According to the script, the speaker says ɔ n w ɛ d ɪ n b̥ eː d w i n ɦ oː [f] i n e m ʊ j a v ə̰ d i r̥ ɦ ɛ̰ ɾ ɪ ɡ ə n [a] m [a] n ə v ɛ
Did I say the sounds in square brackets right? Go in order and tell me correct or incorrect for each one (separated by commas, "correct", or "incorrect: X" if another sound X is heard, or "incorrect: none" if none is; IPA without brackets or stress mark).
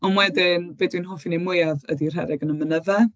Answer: correct, incorrect: ə, incorrect: ə